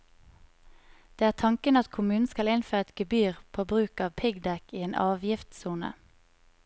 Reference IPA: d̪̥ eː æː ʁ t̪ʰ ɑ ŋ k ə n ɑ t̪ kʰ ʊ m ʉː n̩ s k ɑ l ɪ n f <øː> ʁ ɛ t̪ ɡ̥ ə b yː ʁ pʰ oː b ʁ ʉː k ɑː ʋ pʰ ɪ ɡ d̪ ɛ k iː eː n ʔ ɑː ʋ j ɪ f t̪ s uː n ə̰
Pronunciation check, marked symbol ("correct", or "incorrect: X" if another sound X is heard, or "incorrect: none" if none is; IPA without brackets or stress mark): correct